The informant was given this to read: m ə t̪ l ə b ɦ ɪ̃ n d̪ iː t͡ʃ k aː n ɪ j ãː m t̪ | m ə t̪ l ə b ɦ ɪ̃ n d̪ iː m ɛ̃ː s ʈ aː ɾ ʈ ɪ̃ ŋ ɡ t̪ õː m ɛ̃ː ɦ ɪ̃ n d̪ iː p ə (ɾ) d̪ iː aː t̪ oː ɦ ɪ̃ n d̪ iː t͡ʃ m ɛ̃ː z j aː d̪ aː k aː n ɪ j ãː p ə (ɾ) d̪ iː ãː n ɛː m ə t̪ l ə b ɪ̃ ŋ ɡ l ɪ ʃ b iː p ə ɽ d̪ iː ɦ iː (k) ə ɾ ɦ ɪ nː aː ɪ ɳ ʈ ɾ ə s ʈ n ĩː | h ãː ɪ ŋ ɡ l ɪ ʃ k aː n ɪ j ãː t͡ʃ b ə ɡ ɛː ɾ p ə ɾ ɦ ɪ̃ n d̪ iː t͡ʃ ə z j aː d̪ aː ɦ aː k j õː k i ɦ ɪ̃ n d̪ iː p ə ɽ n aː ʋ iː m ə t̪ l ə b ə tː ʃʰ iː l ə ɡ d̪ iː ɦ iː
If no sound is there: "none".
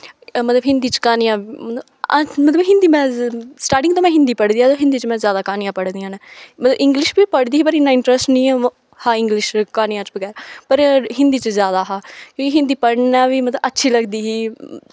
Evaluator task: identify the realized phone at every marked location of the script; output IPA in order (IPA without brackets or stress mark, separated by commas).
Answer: ɽ, ɽ, p